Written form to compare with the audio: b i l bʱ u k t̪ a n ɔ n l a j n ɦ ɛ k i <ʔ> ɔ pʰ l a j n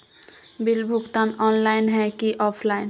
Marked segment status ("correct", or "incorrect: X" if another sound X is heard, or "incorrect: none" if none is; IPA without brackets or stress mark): correct